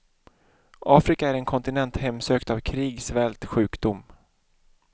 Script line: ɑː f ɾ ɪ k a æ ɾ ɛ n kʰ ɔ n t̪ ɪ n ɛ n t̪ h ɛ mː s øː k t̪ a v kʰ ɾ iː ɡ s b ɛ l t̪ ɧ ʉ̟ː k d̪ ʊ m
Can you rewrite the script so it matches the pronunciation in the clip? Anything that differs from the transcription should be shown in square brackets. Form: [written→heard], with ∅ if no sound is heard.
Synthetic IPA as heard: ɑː f ɾ ɪ k a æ ɾ ɛ n kʰ ɔ n t̪ ɪ n ɛ n t̪ h ɛ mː s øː k t̪ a v kʰ ɾ iː ɡ s [b→v] ɛ l t̪ ɧ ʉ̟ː k d̪ ʊ m